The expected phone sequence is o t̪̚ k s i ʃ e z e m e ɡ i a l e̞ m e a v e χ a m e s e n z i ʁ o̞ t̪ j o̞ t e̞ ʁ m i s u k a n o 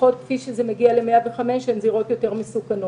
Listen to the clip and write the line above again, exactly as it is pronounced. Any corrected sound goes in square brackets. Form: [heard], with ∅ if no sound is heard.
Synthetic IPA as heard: o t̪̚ k [f] i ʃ e z e m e ɡ i a l e̞ m e a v e χ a m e [ʃ] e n z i ʁ o̞ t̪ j o̞ t e̞ ʁ m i s u k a n o